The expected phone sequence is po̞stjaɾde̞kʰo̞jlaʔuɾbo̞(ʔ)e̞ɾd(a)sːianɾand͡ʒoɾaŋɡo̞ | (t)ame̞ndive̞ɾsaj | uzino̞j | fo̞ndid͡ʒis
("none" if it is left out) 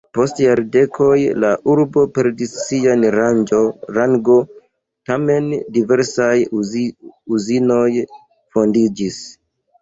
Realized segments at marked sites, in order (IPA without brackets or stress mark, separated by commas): p, i, t